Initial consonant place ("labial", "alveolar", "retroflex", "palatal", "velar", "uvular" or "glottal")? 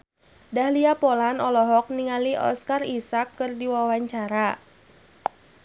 alveolar